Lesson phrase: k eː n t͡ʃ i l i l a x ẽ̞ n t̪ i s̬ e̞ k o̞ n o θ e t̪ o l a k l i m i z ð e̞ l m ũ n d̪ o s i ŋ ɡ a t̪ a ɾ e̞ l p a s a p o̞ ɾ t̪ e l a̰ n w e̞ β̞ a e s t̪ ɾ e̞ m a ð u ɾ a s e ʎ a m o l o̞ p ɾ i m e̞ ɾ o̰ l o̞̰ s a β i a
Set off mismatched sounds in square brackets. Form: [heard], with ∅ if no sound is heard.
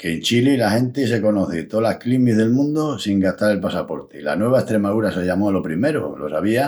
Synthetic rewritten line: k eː n t͡ʃ i l i l a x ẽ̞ n t̪ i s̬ e̞ k o̞ n o θ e t̪ o l a k l i m i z ð e̞ l m ũ n d̪ o s i ŋ ɡ a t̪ a ɾ e̞ l p a s a p o̞ ɾ t̪ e l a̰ n w e̞ β̞ a e s t̪ ɾ e̞ m a ð u ɾ a s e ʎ a m o l o̞ p ɾ i m e̞ ɾ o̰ l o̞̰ s a β i a